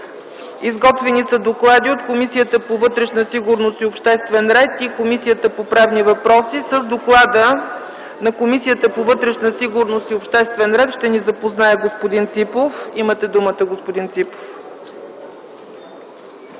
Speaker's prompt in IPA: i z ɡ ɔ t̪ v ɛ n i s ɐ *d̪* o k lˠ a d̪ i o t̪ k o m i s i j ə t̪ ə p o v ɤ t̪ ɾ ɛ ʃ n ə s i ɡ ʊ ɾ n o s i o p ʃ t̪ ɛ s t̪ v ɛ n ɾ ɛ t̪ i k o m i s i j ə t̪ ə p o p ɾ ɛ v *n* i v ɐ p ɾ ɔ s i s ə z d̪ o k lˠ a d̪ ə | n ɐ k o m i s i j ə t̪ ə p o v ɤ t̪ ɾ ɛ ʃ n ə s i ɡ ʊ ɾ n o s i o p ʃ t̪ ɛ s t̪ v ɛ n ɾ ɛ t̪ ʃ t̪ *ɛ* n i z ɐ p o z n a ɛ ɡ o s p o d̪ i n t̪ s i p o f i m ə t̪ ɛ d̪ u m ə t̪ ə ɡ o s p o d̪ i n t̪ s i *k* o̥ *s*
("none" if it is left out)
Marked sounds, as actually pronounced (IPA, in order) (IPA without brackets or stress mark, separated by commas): d̪, n, ɛ, p, f